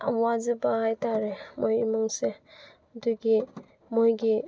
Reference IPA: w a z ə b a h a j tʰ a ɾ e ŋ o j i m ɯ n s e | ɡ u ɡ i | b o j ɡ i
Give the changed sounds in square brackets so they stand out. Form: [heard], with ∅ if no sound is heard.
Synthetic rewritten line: w a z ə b a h a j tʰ a ɾ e [m] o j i m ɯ [ŋ] s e | [d] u ɡ i | [m] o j ɡ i